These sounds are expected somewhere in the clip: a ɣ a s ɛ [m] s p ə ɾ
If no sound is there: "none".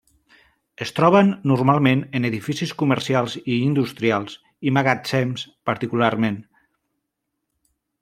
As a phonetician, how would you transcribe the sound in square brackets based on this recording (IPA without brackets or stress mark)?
m